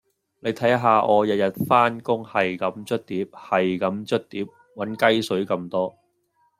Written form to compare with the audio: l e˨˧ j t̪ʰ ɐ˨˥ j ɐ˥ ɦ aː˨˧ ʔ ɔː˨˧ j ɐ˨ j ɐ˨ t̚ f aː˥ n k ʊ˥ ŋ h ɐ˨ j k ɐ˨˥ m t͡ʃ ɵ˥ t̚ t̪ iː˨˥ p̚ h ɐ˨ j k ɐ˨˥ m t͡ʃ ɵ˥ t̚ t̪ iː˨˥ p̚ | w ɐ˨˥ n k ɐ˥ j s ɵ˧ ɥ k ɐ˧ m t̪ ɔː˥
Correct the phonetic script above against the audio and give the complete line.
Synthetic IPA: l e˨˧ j t̪ʰ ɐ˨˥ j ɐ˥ ɦ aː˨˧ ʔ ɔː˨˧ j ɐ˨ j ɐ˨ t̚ f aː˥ n k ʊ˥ ŋ h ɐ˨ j k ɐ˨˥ m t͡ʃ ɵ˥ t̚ t̪ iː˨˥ p̚ h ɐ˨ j k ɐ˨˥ m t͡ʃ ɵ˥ t̚ t̪ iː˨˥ p̚ | w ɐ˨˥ n k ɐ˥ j s ɵ˨˥ ɥ k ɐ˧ m t̪ ɔː˥

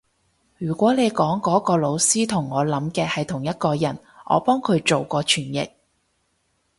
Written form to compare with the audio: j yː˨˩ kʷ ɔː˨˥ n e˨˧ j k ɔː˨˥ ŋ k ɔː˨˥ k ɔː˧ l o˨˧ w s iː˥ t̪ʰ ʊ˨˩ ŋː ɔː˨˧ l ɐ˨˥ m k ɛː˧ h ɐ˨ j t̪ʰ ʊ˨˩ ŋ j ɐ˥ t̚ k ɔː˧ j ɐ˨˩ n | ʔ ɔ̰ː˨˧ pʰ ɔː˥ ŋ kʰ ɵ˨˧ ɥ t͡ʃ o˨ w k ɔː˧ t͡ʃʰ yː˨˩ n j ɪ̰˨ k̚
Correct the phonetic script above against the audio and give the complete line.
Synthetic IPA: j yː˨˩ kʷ ɔː˨˥ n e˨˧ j k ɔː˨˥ ŋ k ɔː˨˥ k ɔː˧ l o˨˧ w s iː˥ t̪ʰ ʊ˨˩ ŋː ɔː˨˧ l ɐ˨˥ m k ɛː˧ h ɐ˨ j t̪ʰ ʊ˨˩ ŋ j ɐ˥ t̚ k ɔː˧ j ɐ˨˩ n | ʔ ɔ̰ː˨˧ p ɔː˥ ŋ kʰ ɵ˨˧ ɥ t͡ʃ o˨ w k ɔː˧ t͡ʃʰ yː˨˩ n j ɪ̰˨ k̚

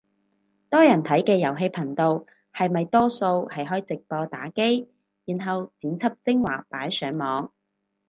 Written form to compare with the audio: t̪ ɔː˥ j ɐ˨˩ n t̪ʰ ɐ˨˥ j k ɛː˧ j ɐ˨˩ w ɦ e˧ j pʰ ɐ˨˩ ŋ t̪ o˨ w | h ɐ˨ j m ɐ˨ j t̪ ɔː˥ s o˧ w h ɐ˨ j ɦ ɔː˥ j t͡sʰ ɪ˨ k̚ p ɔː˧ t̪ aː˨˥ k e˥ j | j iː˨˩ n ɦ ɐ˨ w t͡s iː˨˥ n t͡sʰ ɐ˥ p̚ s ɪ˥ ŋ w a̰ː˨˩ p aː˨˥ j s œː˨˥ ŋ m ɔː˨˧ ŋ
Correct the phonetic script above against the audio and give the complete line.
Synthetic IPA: t̪ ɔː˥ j ɐ˨˩ n t̪ʰ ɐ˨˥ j k ɛː˧ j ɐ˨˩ w ɦ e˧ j pʰ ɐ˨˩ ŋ t̪ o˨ w | h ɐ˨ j m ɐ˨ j t̪ ɔː˥ s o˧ w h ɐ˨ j ɦ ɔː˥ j t͡s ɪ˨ k̚ p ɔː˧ t̪ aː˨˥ k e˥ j | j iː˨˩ n ɦ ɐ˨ w t͡s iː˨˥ n t͡sʰ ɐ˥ p̚ t͡s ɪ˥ ŋ w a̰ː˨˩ p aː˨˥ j s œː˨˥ ŋ m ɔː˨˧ ŋ

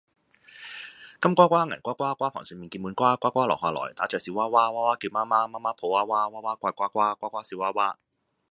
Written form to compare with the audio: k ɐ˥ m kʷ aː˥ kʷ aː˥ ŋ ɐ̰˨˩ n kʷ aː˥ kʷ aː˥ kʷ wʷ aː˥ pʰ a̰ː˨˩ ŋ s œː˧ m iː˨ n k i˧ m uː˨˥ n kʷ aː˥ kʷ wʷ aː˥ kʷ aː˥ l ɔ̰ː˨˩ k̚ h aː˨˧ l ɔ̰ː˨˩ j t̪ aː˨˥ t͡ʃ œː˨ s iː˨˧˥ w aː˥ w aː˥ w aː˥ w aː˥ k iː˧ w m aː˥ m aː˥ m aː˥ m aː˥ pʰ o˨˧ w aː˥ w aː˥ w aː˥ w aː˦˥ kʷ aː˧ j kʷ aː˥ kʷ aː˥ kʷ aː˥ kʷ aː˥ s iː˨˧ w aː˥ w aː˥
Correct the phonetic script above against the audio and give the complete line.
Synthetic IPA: k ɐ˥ m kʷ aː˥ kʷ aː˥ ŋ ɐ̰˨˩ n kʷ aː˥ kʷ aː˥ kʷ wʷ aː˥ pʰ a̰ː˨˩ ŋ s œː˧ m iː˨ n k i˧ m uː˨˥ n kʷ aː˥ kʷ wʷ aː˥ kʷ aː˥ l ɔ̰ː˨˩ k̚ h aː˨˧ l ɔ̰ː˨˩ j t̪ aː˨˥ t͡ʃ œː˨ s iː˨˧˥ w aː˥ w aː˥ w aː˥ w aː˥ k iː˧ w m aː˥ m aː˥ m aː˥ m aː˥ pʰ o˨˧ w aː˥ w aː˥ w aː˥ w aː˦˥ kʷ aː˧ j kʷ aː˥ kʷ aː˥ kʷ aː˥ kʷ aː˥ s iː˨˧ w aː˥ w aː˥

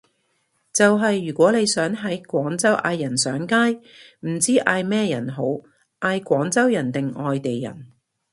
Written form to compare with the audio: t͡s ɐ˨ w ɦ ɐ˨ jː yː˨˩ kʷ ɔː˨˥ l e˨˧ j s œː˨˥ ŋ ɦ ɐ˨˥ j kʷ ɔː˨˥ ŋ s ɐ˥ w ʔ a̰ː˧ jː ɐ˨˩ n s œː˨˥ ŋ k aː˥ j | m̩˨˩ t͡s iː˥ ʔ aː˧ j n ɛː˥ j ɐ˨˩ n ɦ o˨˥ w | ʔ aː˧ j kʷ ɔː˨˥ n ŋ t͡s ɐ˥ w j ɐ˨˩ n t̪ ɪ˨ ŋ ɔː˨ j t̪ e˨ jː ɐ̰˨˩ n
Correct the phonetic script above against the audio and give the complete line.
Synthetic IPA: t͡s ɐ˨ w ɦ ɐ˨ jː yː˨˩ kʷ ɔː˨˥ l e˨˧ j s œː˨˥ ŋ ɦ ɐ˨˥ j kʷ ɔː˨˥ ŋ t͡s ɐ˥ w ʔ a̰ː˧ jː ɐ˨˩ n s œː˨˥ ŋ k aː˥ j | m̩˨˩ t͡s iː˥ ʔ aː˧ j m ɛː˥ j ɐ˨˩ n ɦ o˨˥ w | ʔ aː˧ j kʷ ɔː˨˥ ŋ t͡s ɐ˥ w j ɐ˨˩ n t̪ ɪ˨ ŋ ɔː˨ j t̪ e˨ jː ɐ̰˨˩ n

